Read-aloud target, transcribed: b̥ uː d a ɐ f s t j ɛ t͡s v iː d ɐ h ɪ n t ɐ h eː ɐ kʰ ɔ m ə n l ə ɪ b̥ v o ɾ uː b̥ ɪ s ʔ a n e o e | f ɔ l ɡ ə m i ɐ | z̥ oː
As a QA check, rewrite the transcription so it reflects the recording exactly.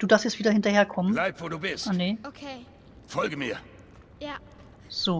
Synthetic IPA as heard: d̥ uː d a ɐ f s t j ɛ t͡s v iː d ɐ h ɪ n t ɐ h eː ɐ kʰ ɔ m ə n l a ɪ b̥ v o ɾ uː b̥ ɪ s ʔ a n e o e | f ɔ l ɡ ə m i ɐ | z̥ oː